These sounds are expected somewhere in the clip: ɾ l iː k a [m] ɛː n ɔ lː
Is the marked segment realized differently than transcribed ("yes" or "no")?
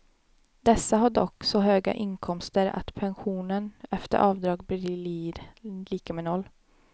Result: no